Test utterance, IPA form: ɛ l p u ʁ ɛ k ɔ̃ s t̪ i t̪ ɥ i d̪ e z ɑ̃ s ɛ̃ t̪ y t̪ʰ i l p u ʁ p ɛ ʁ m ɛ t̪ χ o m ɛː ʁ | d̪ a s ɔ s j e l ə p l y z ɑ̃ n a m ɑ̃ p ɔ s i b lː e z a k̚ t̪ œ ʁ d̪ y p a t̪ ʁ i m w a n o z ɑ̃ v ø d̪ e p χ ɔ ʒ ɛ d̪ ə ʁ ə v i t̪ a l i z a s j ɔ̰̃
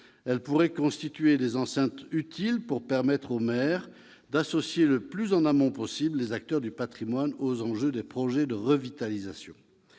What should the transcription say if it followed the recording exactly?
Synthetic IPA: ɛ l p u ʁ ɛ k ɔ̃ s t̪ i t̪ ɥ e d̪ e z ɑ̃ s ɛ̃ t̪ y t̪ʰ i l p u ʁ p ɛ ʁ m ɛ t̪ χ o m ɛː ʁ | d̪ a s ɔ s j e l ə p l y z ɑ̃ n a m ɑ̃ p ɔ s i b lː e z a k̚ t̪ œ ʁ d̪ y p a t̪ χ i m w a n o z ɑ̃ ʒ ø d̪ e p χ ɔ ʒ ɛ d̪ ə ʁ ə v i t̪ a l i z a s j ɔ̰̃